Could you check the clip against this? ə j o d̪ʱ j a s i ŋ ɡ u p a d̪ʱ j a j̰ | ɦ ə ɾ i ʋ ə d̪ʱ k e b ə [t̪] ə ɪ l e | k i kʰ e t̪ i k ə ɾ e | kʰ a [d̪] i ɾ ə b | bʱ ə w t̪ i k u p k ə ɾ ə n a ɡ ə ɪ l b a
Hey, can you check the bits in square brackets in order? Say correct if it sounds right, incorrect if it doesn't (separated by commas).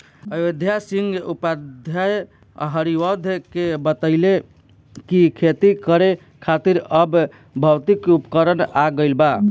correct, incorrect